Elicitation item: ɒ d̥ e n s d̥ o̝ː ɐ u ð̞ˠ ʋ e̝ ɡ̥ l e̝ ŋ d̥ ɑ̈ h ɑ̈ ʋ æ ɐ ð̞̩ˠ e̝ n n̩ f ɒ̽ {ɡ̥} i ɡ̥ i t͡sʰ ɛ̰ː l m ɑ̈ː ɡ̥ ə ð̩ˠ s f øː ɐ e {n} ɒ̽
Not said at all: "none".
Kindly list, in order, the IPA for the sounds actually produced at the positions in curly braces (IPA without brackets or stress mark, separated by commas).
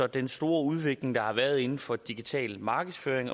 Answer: d̥, ŋ